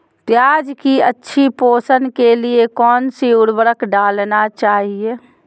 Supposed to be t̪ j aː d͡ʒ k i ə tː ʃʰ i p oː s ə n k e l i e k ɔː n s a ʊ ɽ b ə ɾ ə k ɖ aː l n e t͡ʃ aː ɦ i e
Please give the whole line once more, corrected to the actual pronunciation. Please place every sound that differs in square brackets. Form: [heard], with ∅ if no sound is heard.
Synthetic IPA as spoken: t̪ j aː d͡ʒ k i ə tː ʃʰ i p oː s ə n k e l i e k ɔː n s [i] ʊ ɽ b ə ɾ ə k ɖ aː l n [a] t͡ʃ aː ɦ i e